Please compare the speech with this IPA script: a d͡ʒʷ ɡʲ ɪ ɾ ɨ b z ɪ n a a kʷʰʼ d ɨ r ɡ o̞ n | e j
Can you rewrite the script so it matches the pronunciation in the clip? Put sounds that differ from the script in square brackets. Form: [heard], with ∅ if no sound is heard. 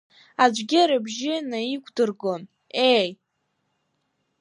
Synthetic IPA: a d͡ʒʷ ɡʲ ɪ ɾ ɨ b [ʒ] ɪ n a [i] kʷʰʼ d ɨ r ɡ o̞ n | e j